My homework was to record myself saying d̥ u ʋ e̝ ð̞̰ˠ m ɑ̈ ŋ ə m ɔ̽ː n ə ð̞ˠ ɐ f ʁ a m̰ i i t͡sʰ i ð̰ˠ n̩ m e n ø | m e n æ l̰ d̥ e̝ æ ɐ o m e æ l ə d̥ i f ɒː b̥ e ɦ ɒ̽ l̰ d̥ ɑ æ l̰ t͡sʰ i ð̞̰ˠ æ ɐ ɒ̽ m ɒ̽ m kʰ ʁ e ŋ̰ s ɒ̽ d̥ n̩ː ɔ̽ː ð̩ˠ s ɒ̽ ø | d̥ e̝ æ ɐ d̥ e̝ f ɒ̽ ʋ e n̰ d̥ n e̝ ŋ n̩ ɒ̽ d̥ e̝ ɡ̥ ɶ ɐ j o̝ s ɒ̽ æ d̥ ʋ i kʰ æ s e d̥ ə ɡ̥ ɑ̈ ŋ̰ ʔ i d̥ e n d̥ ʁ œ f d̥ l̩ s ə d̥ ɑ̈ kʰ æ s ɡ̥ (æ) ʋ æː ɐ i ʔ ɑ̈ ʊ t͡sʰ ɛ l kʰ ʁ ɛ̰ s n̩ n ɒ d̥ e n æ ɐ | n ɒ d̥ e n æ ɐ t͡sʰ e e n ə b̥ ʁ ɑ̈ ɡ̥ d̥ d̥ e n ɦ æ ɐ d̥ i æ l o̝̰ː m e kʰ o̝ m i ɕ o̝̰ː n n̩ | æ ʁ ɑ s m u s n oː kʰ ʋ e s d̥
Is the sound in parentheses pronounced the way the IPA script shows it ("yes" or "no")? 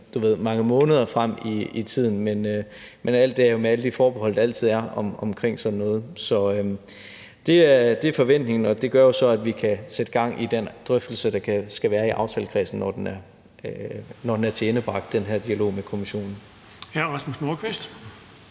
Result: yes